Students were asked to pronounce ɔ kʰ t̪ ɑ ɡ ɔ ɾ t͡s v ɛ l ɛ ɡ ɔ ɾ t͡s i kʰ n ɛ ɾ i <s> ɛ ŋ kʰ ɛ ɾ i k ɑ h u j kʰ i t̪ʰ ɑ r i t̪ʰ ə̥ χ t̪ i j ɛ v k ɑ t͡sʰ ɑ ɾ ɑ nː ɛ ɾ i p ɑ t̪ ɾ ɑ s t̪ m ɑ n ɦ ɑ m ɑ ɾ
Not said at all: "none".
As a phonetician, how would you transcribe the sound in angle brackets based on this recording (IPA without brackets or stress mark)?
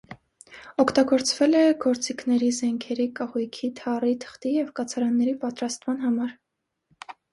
z